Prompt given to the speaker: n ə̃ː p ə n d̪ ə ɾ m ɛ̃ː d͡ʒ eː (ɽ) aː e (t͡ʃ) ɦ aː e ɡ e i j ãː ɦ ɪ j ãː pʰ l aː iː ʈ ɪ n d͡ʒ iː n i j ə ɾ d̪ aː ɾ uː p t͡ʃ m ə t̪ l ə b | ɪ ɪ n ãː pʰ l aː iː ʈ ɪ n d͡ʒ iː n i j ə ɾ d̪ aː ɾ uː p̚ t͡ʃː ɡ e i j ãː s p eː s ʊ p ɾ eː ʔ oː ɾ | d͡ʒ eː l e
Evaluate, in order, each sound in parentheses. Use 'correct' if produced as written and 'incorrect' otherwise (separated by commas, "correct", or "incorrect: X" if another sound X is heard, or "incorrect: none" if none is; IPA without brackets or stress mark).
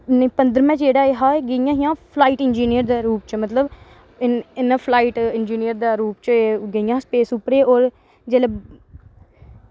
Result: correct, incorrect: none